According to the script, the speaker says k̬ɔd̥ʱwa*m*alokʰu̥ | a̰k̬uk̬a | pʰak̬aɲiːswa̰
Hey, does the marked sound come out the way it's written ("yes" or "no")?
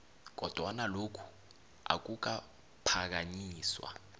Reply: no